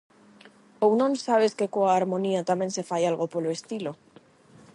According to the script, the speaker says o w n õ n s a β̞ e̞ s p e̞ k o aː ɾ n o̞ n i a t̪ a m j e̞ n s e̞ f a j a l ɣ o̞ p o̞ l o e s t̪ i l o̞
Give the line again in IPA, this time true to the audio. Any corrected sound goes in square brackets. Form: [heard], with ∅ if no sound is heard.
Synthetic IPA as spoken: o w n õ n s a β̞ e̞ s [k] e̞ k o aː ɾ [m] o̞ n i a t̪ a m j e̞ n s e̞ f a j a l ɣ o̞ p o̞ l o e s t̪ i l o̞